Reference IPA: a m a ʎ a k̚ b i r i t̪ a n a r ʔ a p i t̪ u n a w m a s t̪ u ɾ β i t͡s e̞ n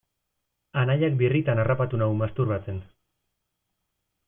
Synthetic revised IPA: a n a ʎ a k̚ b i r i t̪ a n a r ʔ a p a t̪ u n a w m a s t̪ u ɾ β a t͡s e̞ n

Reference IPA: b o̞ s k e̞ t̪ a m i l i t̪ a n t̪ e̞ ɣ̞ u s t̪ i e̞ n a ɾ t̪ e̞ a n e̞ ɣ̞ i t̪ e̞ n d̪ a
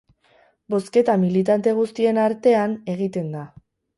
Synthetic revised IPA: b o̞ s k e̞ t̪ a m i l i t̪ a n t̪ e̞ ɣ̞ u s t̪ i e̞ n a ɾ t̪ e̞ a n e̞ ɣ̞ i t̪ e̞ n d̪ a

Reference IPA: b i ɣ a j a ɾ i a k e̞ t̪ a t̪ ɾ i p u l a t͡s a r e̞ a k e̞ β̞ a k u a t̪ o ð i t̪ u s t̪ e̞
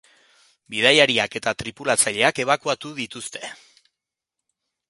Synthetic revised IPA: b i ð a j a ɾ i a k e̞ t̪ a t̪ ɾ i p u l a t͡s a ʎ e̞ a k e̞ β̞ a k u a t̪ u ð i t̪ u s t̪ e̞

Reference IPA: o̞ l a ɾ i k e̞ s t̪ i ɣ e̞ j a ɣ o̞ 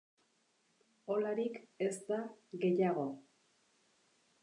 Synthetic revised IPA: o̞ l a ɾ i k e̞ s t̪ a ɣ e̞ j a ɣ o̞

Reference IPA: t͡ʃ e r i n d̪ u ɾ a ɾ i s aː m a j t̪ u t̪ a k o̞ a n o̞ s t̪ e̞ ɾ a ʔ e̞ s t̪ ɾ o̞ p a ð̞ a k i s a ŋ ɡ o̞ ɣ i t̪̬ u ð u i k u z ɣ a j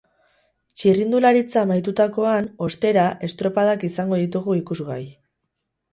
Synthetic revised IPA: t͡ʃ i r i n d̪ u l a ɾ i t͡s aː m a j t̪ u t̪ a k o̞ a n o̞ s t̪ e̞ ɾ a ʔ e̞ s t̪ ɾ o̞ p a ð̞ a k i s a ŋ ɡ o̞ ð i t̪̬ u ɣ u i k u z ɣ a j

